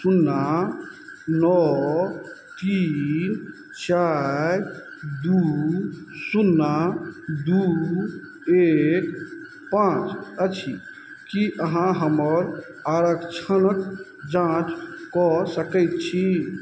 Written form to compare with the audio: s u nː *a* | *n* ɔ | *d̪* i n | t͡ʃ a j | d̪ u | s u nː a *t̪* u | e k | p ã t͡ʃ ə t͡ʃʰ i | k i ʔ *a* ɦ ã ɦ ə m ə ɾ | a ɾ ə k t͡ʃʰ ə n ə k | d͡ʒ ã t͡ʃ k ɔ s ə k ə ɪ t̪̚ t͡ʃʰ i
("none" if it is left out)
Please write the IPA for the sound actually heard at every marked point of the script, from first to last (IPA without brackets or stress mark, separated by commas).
a, n, t̪, d̪, ə